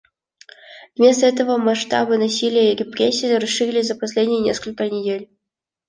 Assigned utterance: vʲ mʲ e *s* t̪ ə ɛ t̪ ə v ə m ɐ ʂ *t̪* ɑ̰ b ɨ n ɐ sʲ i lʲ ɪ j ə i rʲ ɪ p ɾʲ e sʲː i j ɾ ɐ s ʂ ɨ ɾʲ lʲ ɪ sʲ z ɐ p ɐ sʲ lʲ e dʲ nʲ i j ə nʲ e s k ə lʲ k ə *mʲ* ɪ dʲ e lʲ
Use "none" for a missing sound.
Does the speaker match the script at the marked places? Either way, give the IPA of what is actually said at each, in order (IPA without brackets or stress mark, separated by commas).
s, t̪, nʲ